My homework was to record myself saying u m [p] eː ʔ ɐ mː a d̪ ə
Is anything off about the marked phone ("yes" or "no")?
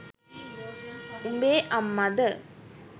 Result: yes